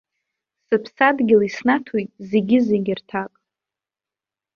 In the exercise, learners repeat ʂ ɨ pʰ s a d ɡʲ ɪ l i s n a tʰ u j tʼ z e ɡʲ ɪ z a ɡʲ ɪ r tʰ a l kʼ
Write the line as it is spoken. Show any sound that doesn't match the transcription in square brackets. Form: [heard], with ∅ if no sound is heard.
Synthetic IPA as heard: [s] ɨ pʰ s a d ɡʲ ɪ l i s n a tʰ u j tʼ z e ɡʲ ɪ z [e] ɡʲ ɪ r tʰ a [∅] kʼ